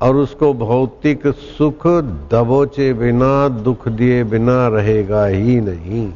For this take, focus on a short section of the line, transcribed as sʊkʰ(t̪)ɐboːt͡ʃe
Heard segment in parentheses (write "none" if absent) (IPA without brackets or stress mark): d̪